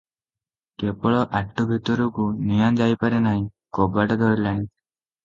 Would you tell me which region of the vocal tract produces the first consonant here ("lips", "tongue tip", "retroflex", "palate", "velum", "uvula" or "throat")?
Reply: velum